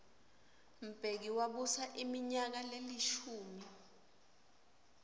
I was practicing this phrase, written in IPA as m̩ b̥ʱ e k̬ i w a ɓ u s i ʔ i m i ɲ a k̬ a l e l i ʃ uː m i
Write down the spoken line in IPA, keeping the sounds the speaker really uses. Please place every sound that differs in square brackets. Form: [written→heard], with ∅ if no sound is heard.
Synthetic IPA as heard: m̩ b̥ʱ e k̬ i w a ɓ u s [i→a] ʔ i m i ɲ a k̬ a l e l i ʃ uː m i